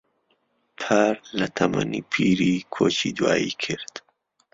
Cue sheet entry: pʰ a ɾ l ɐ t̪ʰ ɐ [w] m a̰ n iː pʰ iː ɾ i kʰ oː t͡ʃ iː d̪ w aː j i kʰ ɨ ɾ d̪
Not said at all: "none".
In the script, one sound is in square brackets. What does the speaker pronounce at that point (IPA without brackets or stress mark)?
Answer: none